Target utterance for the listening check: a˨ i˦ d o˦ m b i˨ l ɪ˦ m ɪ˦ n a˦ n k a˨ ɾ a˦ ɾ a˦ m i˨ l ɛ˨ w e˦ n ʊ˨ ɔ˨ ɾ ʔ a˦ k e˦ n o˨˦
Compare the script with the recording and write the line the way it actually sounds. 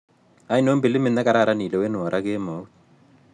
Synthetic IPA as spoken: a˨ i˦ n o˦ m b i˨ l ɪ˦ m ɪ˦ n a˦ k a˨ ɾ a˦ ɾ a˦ n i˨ l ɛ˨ w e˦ n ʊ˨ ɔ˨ ɾ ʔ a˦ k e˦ m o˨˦